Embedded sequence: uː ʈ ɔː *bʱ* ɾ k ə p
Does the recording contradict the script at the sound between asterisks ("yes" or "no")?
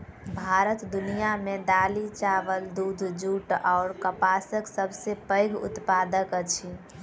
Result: yes